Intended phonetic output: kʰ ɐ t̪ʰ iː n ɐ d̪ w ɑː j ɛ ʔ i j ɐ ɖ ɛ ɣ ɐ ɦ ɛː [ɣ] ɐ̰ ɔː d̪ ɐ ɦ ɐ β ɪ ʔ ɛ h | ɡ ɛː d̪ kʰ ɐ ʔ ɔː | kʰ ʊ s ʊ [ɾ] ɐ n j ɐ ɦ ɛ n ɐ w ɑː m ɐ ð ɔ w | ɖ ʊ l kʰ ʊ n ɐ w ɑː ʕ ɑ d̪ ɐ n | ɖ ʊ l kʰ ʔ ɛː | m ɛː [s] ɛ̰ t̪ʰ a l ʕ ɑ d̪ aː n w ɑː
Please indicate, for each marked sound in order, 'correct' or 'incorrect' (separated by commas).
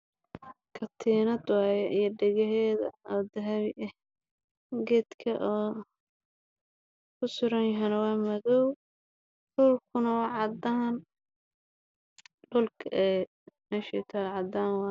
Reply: incorrect, correct, incorrect